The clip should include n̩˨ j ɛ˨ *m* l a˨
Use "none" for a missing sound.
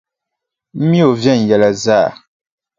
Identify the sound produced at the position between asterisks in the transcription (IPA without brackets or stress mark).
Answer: none